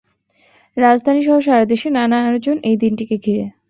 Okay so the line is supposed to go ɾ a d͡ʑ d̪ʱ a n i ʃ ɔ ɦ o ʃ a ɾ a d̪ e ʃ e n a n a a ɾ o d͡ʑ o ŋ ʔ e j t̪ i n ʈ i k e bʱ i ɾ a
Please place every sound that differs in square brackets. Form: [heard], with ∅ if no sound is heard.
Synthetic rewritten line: ɾ a d͡ʑ d̪ʱ a n i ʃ ɔ ɦ o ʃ a ɾ a d̪ e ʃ e n a n a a ɾ o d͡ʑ o [n] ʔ e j [d̪] i n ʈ i k e [ɡʱ] i ɾ [e]